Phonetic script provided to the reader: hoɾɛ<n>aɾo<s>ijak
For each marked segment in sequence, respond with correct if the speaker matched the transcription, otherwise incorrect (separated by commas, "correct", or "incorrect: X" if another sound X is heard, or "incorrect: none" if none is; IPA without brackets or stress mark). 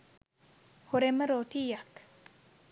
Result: incorrect: m, incorrect: t